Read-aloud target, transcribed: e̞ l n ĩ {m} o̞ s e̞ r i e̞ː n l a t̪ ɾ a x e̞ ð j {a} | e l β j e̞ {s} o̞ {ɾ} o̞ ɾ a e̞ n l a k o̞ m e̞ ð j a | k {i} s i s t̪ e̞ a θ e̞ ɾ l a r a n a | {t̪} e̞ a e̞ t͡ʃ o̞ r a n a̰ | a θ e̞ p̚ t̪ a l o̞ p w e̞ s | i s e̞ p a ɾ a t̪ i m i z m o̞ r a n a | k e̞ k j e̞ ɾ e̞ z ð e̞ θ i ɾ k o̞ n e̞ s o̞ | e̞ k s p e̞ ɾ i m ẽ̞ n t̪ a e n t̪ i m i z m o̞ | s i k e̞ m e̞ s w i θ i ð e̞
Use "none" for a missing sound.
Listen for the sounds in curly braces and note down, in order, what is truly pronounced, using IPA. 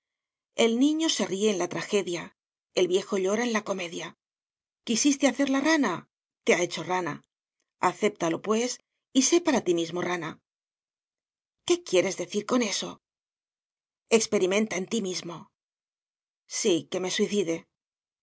ɲ, a, x, ʎ, i, t̪

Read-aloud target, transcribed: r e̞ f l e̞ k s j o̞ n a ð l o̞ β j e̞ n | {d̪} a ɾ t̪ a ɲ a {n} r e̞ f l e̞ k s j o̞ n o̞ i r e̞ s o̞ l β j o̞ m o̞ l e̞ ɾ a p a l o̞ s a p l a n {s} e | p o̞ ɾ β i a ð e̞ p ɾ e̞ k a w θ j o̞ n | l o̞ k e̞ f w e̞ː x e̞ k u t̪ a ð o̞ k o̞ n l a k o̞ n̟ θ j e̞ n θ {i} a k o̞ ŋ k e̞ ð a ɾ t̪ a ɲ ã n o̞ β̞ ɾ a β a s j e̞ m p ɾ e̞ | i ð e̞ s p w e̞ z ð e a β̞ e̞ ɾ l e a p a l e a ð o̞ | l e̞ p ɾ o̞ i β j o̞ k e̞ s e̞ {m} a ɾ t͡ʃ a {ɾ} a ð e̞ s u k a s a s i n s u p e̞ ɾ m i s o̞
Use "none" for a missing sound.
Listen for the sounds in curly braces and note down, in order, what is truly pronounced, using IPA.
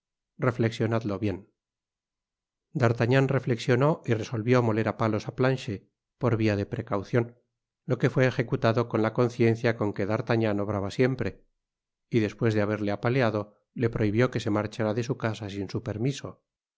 d̪, n, ʃ, j, m, ɾ

